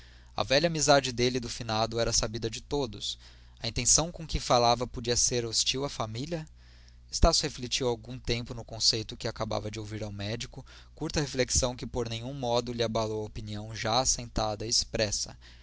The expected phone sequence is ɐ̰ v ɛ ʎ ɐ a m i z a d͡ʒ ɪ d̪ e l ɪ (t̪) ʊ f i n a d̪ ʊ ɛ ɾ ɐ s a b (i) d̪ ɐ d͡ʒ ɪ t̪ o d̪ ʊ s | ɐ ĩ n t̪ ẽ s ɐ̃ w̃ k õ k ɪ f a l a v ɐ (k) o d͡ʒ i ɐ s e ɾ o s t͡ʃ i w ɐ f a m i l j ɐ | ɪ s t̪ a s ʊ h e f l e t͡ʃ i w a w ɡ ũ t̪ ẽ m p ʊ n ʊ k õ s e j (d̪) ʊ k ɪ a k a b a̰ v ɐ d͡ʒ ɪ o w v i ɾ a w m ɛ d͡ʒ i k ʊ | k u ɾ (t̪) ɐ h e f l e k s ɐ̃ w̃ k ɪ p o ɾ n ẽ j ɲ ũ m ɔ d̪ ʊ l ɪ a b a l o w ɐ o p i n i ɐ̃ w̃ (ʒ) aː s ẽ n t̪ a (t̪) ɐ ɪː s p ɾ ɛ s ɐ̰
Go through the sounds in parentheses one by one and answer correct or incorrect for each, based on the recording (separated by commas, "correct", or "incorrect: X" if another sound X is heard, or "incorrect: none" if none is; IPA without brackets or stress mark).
incorrect: d̪, correct, incorrect: p, incorrect: t̪, correct, correct, incorrect: d̪